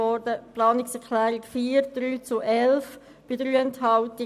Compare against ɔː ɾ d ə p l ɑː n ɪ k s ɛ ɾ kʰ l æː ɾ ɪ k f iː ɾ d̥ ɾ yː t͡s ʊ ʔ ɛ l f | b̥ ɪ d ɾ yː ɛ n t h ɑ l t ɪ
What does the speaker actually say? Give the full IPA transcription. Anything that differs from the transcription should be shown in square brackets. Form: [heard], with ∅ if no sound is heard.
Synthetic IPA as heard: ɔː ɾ d ə p l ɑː n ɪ k s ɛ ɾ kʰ l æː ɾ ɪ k f iː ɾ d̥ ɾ yː t͡s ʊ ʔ ɛ l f | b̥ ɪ d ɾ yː ɛ n t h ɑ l t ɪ